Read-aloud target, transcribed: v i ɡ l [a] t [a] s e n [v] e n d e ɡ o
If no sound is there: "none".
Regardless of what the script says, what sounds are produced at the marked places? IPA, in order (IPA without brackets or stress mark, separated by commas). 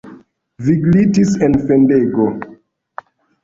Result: i, i, f